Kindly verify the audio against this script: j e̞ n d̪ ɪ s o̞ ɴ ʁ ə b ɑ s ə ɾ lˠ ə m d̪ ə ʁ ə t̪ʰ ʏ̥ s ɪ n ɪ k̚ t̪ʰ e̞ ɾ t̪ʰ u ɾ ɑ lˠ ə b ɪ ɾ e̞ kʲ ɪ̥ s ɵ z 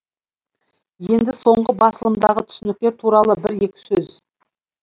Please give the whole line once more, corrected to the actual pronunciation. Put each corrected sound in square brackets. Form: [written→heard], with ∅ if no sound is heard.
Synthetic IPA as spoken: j e̞ n d̪ ɪ s o̞ ɴ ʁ ə b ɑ s ə [ɾ→∅] lˠ ə m d̪ [ə→ɑ] ʁ ə t̪ʰ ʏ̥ s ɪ n ɪ k̚ [t̪ʰ→t̪] e̞ ɾ t̪ʰ u ɾ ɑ lˠ ə b ɪ ɾ e̞ kʲ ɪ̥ s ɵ z